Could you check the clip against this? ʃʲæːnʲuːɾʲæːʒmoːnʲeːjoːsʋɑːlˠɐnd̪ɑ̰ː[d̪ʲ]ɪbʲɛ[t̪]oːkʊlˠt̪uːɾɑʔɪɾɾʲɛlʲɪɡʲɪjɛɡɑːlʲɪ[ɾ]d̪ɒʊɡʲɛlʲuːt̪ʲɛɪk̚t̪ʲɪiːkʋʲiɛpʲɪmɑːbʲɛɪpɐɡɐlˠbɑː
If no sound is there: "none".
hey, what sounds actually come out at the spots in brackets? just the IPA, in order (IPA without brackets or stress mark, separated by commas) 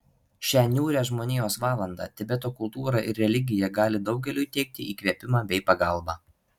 t̪ʲ, t̪, none